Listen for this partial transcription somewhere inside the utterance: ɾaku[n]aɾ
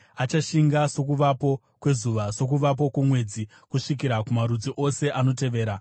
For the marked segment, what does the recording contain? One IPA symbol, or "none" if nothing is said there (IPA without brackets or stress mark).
m